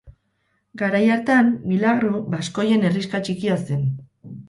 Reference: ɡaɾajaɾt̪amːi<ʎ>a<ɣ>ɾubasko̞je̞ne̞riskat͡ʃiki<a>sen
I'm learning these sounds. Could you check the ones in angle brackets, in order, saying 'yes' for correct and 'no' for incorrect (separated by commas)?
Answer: no, yes, yes